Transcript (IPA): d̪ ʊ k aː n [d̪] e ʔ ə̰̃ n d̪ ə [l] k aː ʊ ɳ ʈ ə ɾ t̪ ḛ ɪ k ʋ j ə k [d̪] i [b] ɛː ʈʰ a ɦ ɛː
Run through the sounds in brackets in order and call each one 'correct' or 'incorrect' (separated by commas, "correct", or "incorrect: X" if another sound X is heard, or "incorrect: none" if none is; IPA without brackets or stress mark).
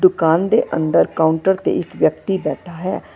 correct, incorrect: ɾ, incorrect: t̪, correct